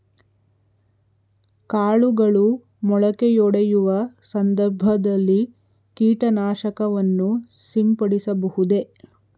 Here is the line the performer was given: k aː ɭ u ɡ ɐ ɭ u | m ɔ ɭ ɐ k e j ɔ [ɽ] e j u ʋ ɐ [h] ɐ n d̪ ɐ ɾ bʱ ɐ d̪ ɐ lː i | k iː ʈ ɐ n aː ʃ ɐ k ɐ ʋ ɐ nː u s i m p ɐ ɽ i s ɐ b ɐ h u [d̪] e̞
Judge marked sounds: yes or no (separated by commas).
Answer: yes, no, yes